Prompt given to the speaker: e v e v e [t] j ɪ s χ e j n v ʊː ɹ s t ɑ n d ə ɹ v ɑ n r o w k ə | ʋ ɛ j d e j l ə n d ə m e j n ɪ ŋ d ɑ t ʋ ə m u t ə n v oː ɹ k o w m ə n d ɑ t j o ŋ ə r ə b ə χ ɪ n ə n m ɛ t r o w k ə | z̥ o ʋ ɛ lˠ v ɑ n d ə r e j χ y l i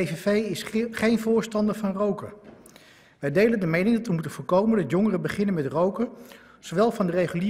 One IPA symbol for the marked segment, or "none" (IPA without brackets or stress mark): none